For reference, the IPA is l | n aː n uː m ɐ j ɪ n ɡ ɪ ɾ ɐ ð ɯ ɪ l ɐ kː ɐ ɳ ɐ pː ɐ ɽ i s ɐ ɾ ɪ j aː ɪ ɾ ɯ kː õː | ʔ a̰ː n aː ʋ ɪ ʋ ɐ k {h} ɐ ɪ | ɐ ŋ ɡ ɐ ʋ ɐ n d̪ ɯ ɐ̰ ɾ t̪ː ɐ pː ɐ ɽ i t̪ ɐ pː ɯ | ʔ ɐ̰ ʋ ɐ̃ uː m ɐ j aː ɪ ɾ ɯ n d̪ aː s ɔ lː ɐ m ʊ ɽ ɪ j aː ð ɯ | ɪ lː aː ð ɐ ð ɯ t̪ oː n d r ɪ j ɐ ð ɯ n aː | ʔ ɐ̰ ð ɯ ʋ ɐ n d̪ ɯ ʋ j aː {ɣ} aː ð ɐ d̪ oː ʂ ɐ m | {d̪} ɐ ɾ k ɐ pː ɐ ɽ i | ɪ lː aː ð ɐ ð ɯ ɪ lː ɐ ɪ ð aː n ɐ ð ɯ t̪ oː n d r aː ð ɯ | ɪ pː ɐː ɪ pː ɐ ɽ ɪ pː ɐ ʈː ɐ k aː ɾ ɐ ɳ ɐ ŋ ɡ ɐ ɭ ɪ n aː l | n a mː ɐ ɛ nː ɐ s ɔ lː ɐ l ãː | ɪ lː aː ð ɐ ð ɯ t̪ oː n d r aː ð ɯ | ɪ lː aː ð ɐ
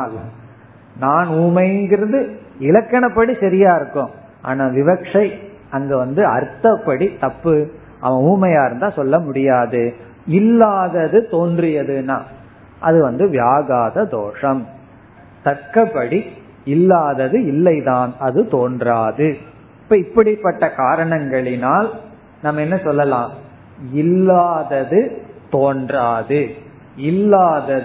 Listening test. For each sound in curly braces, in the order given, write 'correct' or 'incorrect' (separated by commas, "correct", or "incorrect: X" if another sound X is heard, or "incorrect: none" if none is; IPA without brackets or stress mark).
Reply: incorrect: ʂ, correct, incorrect: t̪